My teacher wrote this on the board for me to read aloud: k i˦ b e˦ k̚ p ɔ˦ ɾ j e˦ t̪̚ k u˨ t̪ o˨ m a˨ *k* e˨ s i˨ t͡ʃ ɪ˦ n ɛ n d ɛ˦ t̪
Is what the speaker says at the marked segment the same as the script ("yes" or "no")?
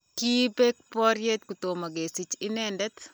no